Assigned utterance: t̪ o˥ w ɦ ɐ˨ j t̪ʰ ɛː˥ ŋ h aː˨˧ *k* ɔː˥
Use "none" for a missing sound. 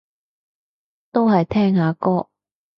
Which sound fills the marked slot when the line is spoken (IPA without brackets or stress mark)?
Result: k